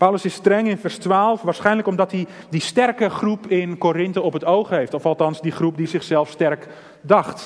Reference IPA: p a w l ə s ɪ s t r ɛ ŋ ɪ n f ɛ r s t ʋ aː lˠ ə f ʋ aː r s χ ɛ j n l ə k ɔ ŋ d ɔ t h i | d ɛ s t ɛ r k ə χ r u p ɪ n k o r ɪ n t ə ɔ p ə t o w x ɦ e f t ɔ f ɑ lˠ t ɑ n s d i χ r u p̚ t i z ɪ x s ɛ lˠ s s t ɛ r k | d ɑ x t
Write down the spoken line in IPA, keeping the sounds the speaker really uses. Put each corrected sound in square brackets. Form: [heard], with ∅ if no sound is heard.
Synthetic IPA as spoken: p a w l ə s ɪ s t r ɛ ŋ ɪ n f ɛ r s t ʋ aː lˠ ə f ʋ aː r s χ ɛ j n l ə k ɔ [m] d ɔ t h i | d [i] s t ɛ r k ə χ r u p ɪ n k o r ɪ n t ə ɔ p ə t o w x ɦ e f t ɔ f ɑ lˠ t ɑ n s d i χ r u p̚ [d] i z ɪ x s ɛ lˠ [f] s t ɛ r k | d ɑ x t